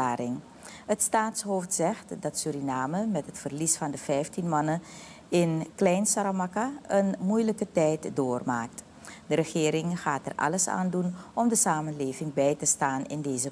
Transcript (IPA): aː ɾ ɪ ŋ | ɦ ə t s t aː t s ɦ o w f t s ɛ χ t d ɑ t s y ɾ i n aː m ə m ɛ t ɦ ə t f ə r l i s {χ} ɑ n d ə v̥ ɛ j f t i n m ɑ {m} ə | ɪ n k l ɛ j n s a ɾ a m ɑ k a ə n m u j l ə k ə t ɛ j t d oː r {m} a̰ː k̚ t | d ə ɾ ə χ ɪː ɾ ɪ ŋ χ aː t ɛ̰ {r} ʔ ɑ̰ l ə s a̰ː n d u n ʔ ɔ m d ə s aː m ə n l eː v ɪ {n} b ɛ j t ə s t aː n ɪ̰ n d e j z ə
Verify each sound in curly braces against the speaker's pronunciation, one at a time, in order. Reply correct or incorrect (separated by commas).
incorrect, incorrect, correct, correct, incorrect